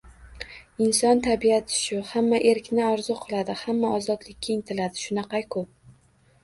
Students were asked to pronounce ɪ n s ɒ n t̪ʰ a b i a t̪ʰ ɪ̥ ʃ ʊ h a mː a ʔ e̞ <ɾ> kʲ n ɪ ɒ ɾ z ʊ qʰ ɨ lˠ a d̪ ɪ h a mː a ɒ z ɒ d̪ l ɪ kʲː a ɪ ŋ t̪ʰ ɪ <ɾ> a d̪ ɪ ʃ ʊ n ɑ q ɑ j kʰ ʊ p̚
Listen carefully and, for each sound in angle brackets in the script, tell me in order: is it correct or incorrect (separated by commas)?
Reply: correct, incorrect